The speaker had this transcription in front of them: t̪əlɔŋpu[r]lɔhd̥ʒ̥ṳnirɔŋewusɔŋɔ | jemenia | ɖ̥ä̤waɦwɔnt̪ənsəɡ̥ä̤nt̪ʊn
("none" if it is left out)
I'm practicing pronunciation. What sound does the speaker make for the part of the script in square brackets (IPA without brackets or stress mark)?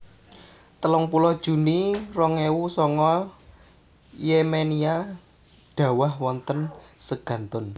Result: none